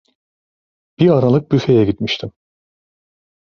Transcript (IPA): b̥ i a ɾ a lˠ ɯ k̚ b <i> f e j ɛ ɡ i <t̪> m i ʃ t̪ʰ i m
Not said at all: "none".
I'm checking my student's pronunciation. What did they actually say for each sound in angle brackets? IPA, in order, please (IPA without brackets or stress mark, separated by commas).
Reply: y, t̪